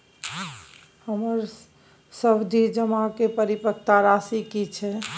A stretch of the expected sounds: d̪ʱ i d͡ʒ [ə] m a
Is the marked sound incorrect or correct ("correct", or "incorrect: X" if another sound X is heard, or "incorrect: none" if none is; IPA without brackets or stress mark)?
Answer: correct